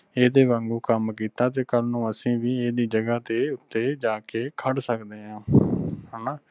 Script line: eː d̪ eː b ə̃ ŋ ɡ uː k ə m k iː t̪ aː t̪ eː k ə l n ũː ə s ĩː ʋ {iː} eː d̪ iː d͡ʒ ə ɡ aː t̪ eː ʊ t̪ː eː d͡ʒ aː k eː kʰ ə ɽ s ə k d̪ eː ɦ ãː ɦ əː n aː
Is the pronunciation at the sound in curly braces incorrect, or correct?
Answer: correct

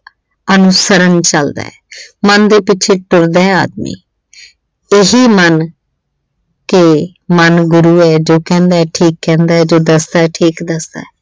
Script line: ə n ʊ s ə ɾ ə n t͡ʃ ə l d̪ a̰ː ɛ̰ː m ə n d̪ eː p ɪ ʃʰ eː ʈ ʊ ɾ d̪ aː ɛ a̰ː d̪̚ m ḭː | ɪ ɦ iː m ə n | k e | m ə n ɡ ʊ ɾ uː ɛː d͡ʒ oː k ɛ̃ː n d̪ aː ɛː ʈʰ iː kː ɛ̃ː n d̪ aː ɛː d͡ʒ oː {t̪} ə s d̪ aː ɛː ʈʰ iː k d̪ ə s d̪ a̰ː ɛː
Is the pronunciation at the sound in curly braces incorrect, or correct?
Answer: incorrect: d̪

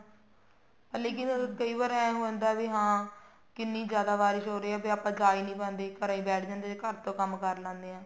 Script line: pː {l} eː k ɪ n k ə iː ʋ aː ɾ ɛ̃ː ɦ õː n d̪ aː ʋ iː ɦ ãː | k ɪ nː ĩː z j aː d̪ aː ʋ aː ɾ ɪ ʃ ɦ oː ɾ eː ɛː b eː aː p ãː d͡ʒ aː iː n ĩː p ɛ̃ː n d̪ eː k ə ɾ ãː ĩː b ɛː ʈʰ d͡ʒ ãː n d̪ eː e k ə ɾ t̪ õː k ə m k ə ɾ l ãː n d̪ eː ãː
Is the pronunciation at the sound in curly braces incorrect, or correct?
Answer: correct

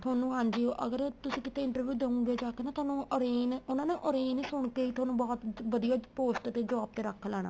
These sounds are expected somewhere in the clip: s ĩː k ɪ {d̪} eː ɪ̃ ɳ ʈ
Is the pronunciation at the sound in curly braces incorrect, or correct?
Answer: incorrect: t̪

